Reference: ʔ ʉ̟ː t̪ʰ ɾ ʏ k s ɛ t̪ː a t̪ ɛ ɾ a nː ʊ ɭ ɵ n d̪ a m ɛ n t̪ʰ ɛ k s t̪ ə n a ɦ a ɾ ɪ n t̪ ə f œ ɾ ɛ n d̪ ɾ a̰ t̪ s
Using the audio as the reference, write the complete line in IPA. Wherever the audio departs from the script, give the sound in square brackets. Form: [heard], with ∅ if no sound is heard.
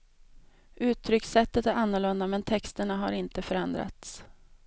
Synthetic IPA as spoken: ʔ ʉ̟ː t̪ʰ ɾ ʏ k s ɛ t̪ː [ə] t̪ [æ] ɾ a nː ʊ ɭ ɵ n d̪ a m ɛ n t̪ʰ ɛ k s t̪ ə [ɳ] a ɦ a ɾ ɪ n t̪ ə f œ ɾ ɛ n d̪ ɾ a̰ t̪ s